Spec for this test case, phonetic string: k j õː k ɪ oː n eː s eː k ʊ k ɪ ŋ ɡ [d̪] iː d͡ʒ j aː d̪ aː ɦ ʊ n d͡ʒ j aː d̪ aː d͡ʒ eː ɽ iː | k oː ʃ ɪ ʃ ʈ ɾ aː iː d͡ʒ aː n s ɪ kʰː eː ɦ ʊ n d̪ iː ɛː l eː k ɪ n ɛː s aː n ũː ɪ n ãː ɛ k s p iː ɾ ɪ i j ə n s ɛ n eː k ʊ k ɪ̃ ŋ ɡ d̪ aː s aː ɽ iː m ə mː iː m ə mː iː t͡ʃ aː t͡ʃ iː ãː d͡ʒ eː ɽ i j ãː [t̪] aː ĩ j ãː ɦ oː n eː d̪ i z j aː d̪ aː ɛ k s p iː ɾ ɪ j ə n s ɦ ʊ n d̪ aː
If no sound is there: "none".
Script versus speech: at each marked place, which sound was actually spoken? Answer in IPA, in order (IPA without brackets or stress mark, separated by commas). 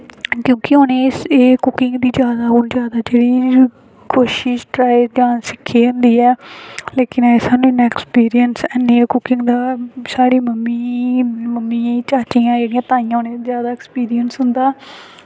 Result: d̪, t̪